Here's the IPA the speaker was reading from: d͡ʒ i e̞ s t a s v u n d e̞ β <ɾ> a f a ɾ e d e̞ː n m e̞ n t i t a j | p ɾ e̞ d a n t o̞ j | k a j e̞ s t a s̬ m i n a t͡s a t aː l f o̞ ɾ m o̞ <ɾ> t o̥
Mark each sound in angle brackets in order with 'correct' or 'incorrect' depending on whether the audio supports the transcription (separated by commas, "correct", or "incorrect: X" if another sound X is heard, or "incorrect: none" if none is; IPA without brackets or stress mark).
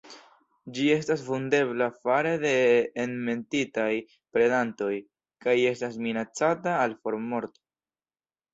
incorrect: l, correct